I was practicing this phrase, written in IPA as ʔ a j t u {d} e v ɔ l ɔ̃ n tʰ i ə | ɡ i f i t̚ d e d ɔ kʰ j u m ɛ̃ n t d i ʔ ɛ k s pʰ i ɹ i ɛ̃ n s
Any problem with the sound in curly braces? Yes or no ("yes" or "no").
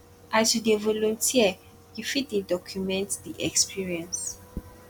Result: no